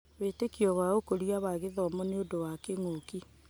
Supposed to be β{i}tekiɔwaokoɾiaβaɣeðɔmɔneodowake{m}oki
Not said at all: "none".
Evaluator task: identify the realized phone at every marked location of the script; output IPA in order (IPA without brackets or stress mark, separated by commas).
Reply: e, ŋ